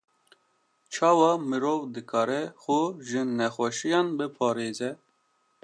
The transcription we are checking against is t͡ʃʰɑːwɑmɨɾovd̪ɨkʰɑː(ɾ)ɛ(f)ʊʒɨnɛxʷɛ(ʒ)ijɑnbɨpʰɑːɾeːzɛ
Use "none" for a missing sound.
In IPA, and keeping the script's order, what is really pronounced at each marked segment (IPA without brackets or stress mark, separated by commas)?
ɾ, x, ʃ